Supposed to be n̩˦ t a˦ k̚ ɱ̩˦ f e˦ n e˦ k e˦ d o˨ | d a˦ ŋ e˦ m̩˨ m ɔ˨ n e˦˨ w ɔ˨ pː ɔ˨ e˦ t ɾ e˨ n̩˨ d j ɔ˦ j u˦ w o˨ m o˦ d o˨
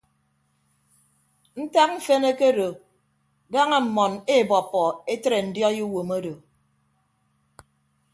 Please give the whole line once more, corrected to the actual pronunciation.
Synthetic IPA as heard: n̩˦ t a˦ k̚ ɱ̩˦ f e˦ n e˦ k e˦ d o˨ | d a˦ ŋ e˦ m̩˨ m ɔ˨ n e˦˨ b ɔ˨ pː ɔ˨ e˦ t ɾ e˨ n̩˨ d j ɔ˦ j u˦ w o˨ m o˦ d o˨